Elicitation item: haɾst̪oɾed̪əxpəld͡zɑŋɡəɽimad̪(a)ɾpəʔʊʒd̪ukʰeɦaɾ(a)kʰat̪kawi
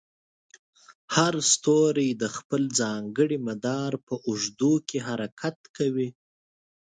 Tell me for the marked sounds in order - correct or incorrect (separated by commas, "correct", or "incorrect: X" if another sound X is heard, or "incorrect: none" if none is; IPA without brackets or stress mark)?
incorrect: ɑ, correct